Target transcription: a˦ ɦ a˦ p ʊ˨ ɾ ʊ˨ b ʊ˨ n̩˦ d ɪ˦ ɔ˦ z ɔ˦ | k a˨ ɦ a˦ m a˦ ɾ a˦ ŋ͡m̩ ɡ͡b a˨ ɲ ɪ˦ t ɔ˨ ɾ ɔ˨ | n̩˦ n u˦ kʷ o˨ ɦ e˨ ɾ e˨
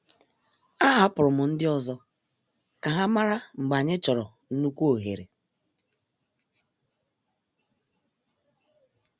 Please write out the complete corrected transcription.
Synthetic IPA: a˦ ɦ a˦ p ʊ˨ ɾ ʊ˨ m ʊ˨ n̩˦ d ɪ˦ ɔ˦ z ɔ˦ | k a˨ ɦ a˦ m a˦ ɾ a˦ ŋ͡m̩ ɡ͡b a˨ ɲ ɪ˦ t͡ʃ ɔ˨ ɾ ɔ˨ | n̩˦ n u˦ kʷ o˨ ɦ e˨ ɾ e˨

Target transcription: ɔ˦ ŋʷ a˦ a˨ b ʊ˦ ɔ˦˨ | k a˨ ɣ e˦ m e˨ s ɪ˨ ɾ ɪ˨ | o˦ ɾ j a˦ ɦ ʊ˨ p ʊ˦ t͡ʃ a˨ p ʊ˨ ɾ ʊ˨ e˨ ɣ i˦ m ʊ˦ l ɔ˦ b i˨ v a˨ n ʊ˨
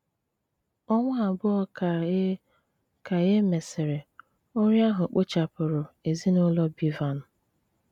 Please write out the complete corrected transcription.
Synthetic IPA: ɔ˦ ŋʷ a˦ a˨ b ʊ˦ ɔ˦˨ | k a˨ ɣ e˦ m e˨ s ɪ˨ ɾ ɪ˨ | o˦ ɾ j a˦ ɦ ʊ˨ k͡p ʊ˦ t͡ʃ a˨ p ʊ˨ ɾ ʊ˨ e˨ z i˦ n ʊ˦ l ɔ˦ b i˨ v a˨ n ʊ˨

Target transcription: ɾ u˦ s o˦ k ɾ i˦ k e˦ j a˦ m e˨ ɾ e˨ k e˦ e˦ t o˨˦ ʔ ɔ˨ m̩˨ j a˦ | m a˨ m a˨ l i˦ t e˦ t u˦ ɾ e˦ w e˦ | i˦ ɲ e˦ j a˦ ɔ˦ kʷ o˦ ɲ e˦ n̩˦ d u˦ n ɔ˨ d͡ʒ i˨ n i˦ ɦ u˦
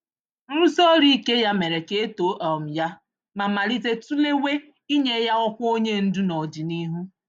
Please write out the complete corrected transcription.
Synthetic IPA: ɾ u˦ s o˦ ɾ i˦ k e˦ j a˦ m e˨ ɾ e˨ k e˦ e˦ t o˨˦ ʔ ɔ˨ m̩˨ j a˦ | m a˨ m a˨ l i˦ t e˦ t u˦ l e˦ w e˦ | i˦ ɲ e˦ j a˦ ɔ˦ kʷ o˦ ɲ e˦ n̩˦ d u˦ n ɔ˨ d͡ʒ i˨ n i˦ ɦ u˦

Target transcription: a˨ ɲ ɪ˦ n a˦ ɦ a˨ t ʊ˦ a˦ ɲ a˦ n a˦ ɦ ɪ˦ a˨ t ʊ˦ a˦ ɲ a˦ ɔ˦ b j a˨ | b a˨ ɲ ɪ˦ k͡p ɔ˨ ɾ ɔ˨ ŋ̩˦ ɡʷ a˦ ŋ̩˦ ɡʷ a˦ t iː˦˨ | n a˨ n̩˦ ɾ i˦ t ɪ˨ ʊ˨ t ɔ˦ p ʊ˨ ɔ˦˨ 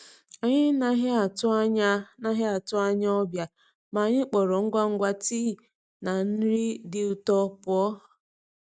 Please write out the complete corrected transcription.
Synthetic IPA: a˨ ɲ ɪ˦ n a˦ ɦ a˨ t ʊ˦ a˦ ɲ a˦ n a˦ ɦ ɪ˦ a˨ t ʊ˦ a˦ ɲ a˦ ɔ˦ b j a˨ | m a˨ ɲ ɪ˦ k͡p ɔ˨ ɾ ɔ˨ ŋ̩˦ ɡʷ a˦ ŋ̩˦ ɡʷ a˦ t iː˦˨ | n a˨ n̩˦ ɾ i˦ d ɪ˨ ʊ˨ t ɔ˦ p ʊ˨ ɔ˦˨

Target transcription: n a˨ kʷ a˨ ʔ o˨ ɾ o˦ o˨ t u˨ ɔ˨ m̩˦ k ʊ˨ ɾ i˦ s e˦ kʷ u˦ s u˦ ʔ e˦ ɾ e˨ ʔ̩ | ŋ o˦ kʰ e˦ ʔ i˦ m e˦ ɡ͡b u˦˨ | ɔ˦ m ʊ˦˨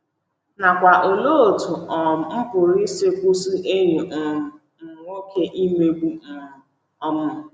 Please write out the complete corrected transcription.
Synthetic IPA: n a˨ kʷ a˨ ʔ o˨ l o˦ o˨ t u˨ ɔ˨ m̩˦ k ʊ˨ ɾ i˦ s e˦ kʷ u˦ s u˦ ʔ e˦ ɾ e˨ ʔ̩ | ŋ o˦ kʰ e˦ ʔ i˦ m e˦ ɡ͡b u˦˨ | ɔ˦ m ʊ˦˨

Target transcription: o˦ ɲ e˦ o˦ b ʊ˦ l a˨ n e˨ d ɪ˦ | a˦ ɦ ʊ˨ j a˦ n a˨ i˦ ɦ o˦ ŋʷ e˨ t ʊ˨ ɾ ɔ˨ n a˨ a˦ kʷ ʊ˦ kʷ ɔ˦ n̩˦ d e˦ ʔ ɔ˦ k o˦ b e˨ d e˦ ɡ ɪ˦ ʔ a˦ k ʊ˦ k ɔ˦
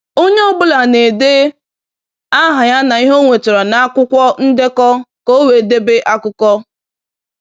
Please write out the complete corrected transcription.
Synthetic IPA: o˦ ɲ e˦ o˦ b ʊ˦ l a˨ n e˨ d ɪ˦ | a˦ ɦ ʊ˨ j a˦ n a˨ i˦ ɦ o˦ ŋʷ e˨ t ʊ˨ ɾ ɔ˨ n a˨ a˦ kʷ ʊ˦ kʷ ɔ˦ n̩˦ d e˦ k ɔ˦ k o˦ w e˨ d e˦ b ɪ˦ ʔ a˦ k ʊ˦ k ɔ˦

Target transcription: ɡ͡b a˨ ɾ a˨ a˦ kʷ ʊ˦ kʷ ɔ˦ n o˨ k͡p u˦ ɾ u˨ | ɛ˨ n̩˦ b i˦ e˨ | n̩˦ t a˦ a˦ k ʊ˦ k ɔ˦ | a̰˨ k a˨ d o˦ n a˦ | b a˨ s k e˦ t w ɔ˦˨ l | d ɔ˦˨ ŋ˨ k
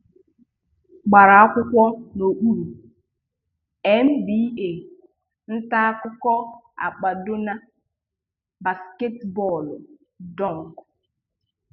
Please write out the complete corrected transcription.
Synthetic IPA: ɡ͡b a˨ ɾ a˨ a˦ kʷ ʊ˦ kʷ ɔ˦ n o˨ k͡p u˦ ɾ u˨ | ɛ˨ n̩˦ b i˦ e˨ | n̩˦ t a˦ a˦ k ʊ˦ k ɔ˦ | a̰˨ k͡p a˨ d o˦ n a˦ | b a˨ s k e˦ t b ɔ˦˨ l | d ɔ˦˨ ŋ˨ k

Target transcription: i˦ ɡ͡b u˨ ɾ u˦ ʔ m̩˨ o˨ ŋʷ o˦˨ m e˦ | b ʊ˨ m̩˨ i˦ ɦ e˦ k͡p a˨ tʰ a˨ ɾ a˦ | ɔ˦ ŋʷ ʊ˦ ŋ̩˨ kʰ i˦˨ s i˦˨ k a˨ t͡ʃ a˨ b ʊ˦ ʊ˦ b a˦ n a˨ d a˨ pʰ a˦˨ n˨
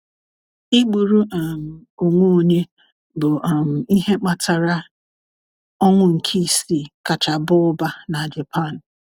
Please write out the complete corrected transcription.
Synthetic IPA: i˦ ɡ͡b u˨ ɾ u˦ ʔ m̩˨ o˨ ŋʷ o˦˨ ɲ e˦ | b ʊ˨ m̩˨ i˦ ɦ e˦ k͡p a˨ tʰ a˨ ɾ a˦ | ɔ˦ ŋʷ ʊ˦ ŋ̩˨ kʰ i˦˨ s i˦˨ k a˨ t͡ʃ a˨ b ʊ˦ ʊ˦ b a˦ n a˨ d͡ʒ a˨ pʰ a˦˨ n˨

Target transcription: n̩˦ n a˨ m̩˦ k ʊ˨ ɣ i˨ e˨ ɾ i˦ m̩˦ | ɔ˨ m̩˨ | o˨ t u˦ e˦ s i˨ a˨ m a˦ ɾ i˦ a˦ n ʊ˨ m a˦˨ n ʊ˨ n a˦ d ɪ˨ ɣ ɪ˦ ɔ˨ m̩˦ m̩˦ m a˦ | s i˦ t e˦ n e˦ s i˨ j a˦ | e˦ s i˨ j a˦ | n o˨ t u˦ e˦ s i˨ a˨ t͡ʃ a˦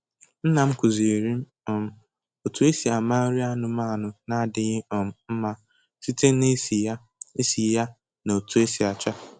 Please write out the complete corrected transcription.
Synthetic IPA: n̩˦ n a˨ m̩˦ k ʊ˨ z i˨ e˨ ɾ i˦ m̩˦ | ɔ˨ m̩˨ | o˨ t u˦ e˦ s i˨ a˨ m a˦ ɾ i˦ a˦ n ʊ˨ m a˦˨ n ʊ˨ n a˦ d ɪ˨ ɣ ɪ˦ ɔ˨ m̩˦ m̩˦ m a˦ | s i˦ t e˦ n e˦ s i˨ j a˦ | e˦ s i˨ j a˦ | n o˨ t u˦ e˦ s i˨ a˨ t͡ʃ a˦

